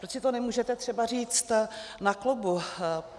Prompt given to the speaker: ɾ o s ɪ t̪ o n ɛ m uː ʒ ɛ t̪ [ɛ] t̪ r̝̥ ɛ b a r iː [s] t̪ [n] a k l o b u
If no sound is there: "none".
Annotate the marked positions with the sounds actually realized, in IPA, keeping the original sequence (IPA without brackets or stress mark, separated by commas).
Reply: ɛ, t͡s, n